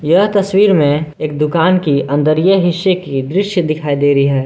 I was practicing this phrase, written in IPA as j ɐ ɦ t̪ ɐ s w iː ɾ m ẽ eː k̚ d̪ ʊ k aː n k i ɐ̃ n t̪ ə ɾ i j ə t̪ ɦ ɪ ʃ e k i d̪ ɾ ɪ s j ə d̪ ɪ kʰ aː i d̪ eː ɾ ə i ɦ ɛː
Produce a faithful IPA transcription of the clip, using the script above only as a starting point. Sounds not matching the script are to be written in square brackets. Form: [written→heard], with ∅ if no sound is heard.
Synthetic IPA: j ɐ ɦ t̪ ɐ s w iː ɾ m ẽ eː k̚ d̪ ʊ k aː n k i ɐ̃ n [t̪→d̪] ə ɾ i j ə [t̪→∅] ɦ ɪ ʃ e k i d̪ ɾ ɪ [s→ʃ] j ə d̪ ɪ kʰ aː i d̪ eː ɾ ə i ɦ ɛː